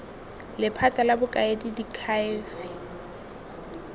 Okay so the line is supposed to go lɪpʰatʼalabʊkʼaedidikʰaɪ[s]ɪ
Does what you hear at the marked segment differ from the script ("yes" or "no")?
yes